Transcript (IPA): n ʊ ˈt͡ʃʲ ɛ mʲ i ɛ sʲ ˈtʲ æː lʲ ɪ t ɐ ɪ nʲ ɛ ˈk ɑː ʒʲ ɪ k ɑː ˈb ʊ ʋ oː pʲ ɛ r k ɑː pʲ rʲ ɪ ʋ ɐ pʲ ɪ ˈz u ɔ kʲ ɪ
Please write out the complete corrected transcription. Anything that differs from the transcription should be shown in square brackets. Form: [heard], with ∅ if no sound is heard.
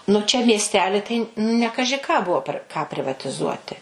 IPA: n ʊ ˈt͡ʃʲ ɛ mʲ i ɛ sʲ ˈtʲ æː lʲ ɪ t ɐ ɪ nʲ ɛ ˈk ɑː ʒʲ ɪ k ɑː ˈb ʊ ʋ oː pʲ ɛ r k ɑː pʲ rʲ ɪ ʋ ɐ [tʲ] ɪ ˈz u ɔ [tʲ] ɪ